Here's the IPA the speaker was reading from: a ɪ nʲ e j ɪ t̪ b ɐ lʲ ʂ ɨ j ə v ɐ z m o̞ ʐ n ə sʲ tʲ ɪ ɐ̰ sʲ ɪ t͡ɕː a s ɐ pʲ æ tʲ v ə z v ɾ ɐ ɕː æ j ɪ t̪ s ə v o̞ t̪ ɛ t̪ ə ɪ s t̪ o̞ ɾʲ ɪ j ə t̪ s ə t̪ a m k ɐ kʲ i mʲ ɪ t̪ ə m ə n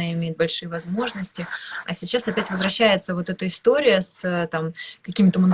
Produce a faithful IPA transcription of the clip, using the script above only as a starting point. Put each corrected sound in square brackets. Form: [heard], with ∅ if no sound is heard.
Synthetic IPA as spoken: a ɪ [mʲ] e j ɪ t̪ b ɐ lʲ ʂ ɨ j ə v ɐ z m o̞ ʐ n ə sʲ tʲ ɪ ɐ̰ sʲ ɪ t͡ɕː a s ɐ pʲ æ tʲ v ə z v ɾ ɐ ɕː æ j ɪ t̪ s ə v o̞ t̪ ɛ t̪ ə ɪ s t̪ o̞ ɾʲ ɪ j ə [∅] s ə t̪ a m k ɐ kʲ i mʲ ɪ t̪ ə m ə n